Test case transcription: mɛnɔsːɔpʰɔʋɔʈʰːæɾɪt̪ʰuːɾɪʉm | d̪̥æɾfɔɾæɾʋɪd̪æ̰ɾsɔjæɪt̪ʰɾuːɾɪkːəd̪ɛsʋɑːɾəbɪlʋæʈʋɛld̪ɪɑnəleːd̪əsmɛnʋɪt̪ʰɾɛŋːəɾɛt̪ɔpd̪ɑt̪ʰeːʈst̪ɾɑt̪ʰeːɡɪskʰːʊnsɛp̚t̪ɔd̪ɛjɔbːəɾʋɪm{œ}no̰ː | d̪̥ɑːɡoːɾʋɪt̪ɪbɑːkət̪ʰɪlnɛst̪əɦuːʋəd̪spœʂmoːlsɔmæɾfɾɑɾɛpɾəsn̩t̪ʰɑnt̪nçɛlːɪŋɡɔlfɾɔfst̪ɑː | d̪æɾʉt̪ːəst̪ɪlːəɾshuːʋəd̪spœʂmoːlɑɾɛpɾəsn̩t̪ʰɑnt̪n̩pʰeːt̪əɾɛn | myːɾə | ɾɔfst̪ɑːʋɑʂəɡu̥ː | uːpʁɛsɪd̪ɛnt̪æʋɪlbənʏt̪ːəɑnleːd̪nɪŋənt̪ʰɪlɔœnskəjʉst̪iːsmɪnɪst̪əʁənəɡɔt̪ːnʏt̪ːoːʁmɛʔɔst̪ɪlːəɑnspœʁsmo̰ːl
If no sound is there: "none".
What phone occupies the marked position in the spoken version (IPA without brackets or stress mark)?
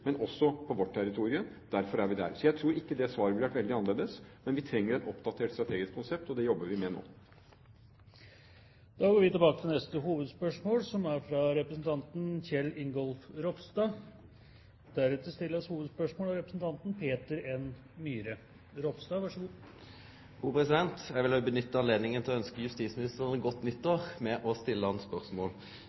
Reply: ɛ